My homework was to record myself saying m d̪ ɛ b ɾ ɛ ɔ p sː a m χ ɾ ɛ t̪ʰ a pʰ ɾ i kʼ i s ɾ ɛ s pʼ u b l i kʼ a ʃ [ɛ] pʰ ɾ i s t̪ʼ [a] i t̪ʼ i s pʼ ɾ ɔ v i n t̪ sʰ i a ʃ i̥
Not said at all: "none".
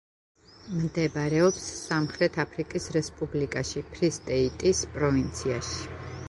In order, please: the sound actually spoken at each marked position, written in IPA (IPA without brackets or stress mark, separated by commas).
i, ɛ